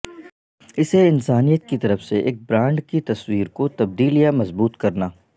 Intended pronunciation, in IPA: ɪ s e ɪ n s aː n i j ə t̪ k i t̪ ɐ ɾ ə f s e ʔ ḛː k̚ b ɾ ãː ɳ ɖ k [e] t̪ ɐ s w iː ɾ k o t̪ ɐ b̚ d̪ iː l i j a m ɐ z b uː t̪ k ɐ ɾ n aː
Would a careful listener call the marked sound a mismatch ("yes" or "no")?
yes